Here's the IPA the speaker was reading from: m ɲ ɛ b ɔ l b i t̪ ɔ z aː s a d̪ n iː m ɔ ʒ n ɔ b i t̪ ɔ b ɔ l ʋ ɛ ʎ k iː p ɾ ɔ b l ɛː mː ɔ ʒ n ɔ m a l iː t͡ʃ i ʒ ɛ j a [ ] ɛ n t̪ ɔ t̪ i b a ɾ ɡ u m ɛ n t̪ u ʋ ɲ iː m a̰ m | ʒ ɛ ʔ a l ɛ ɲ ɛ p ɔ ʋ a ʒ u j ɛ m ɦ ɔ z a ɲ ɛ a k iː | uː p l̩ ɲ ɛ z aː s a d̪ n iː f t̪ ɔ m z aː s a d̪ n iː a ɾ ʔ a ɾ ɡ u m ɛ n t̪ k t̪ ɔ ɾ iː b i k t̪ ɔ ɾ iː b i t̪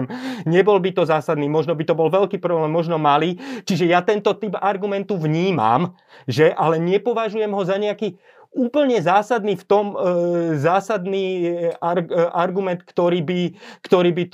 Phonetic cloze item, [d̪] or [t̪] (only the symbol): t̪